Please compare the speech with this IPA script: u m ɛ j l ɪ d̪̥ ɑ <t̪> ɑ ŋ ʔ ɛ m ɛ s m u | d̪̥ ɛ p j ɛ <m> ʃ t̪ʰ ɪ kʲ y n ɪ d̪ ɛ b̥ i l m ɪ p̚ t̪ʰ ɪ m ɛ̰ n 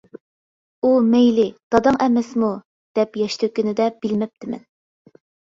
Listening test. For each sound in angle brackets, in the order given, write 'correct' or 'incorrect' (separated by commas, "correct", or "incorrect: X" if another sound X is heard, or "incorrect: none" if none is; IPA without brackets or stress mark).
incorrect: d̪, incorrect: none